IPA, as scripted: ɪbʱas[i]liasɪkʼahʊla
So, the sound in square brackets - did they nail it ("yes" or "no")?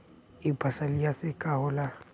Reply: no